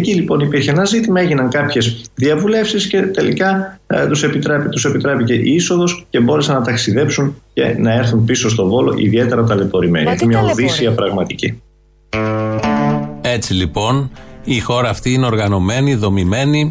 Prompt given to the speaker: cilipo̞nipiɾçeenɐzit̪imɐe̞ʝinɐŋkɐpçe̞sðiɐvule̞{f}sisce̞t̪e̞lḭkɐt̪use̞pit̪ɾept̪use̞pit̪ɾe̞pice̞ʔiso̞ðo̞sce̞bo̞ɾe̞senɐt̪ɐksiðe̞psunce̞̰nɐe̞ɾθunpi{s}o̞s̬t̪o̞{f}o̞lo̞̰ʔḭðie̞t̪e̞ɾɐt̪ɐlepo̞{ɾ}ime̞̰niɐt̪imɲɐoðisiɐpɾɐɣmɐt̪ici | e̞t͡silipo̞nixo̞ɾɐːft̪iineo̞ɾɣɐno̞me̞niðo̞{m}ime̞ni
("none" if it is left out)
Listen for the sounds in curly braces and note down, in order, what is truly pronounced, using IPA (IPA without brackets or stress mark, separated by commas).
f, s, v, ɾ, m